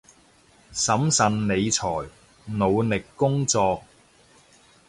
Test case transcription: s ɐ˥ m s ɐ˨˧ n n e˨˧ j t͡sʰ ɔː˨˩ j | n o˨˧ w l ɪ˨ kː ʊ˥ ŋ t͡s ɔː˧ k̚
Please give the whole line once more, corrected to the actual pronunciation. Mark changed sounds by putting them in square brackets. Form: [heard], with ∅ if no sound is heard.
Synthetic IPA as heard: s [ɐ˨˥] m s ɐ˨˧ n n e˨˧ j t͡sʰ ɔː˨˩ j | n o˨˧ w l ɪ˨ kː ʊ˥ ŋ t͡s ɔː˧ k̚